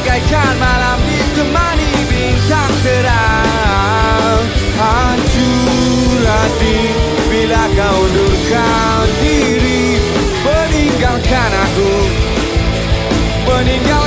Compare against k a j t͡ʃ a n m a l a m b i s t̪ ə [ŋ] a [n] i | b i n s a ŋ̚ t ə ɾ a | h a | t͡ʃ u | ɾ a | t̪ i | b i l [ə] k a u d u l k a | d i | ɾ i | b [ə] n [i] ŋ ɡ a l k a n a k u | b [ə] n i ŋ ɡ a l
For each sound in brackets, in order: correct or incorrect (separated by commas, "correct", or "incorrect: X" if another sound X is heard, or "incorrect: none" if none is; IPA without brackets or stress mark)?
incorrect: m, correct, incorrect: a, correct, correct, correct